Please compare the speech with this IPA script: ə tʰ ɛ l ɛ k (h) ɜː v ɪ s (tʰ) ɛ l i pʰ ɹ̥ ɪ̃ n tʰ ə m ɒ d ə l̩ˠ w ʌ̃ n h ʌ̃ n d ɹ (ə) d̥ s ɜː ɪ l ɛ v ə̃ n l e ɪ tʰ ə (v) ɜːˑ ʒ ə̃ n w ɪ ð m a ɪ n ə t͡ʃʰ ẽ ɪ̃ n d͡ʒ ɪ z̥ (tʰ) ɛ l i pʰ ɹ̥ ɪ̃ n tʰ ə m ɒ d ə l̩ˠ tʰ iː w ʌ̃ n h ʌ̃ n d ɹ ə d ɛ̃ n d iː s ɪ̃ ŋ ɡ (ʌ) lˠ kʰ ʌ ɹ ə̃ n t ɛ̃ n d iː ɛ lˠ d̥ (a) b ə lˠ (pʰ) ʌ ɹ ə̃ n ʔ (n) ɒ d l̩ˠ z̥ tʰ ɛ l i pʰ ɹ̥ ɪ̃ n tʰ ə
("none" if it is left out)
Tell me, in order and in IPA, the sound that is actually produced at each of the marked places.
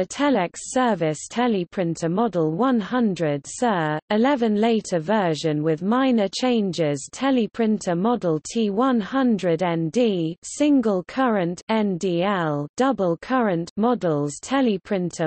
s, tʰ, ə, v, tʰ, ə, ʌ, kʰ, m

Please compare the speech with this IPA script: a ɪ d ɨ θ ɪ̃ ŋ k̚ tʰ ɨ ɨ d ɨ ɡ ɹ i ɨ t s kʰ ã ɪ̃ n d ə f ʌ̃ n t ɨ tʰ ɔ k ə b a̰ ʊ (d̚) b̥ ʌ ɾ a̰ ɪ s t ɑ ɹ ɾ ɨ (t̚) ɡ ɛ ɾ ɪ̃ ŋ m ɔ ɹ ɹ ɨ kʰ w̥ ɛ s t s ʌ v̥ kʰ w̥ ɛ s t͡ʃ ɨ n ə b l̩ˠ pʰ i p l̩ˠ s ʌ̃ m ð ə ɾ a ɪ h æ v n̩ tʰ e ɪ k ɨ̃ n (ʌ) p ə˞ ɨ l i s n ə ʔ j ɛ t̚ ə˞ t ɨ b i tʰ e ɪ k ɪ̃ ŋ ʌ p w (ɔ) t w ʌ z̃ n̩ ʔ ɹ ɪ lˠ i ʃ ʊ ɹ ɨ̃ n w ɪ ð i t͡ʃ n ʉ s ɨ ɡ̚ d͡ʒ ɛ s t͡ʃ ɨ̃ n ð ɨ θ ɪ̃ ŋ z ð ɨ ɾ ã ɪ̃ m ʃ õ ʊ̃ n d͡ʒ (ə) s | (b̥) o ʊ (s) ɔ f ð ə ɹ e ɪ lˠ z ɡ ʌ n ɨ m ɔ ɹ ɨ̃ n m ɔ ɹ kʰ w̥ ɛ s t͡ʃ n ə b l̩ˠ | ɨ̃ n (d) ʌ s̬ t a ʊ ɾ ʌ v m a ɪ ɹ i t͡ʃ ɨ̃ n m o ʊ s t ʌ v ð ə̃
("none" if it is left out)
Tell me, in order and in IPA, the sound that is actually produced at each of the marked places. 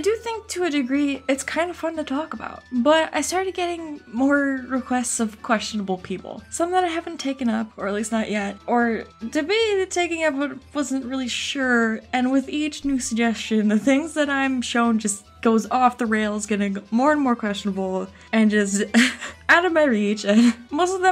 t̚, d̚, ʌ, ʌ, ʌ, ɡ̥, z, d͡ʒ

